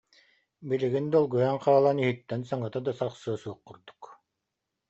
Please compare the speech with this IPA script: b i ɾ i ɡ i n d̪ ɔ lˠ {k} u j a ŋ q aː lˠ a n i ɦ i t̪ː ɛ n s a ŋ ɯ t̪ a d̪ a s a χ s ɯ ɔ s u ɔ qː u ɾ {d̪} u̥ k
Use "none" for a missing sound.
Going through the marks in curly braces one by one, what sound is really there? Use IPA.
ɡ, d̪

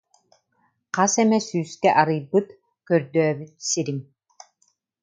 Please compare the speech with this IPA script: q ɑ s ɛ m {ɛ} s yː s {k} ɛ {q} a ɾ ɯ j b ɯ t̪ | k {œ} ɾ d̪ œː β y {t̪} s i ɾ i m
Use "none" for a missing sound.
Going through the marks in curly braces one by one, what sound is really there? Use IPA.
ɛ, k, ʔ, œ, t̪

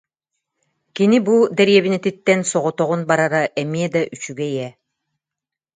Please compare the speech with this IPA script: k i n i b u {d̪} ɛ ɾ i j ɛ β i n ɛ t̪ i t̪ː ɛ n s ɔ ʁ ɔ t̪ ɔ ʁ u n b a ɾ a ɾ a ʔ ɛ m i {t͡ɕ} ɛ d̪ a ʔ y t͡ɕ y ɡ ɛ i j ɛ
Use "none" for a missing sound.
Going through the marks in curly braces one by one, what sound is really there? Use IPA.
d̪, none

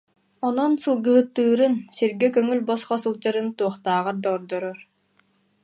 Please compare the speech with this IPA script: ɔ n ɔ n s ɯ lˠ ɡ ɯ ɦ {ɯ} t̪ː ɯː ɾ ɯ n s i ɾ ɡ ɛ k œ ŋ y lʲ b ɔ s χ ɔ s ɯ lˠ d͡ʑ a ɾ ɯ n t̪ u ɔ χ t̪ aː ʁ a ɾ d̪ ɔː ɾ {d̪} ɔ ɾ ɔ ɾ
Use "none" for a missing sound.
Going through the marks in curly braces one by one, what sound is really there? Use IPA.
ɯ, d̪

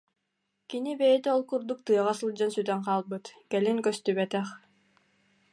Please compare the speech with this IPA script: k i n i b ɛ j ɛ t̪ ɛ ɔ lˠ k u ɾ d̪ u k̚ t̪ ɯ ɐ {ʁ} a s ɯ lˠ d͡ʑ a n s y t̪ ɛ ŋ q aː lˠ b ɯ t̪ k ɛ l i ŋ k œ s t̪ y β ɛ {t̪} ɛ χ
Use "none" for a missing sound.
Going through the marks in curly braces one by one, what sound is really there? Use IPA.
ʁ, t̪

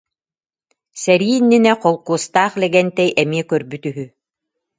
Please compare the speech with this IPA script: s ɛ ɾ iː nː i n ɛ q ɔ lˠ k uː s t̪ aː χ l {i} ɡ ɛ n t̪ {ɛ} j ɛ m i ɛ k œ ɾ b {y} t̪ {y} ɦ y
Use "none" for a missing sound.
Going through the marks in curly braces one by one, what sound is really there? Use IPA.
ɛ, ɛ, y, y

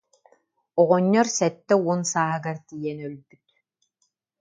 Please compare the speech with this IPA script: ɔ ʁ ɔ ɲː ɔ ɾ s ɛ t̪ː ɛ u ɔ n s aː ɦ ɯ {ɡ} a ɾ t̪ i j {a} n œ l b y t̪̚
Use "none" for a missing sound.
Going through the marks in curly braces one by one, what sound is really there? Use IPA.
ɡ, ɛ

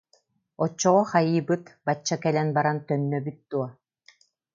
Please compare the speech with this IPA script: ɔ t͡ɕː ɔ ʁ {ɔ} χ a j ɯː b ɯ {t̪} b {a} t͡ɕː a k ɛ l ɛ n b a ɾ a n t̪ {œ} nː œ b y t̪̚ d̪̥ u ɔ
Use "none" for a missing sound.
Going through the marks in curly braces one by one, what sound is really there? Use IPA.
ɔ, t̪, a, œ

